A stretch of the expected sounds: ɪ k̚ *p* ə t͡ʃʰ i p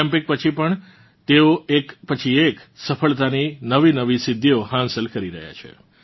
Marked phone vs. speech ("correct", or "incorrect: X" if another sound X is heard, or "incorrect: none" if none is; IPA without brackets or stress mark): correct